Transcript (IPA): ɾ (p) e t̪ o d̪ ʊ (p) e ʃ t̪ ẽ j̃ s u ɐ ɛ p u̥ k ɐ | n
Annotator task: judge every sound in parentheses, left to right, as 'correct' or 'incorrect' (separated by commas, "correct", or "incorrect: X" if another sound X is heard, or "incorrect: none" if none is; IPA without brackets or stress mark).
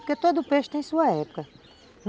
incorrect: k, correct